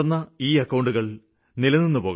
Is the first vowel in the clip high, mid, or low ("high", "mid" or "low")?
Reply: low